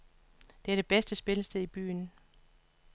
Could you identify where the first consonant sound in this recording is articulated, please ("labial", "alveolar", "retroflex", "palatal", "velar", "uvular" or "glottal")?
alveolar